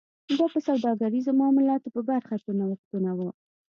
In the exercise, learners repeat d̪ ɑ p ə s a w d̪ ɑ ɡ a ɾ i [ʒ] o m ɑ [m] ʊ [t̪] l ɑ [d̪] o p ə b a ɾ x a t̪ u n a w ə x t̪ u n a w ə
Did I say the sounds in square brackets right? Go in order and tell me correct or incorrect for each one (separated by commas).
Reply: incorrect, correct, incorrect, incorrect